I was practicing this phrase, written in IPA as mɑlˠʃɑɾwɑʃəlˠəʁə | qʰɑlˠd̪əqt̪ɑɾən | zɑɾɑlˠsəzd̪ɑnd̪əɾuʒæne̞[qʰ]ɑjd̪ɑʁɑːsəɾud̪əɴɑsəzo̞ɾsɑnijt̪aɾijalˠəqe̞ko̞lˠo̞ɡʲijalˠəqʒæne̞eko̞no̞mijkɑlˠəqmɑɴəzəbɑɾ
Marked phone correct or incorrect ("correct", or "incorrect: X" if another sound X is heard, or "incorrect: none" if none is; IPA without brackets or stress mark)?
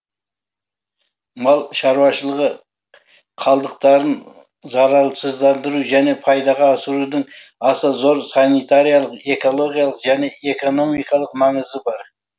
incorrect: pʰ